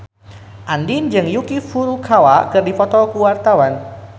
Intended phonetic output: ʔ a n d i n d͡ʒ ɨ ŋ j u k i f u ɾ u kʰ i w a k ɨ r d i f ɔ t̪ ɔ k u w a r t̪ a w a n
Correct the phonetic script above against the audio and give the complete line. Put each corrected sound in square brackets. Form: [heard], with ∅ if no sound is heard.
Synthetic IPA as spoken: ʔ a n d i n d͡ʒ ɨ ŋ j u k i f u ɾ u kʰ [a] w a k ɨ r d i f ɔ t̪ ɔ k u w a r t̪ a w a n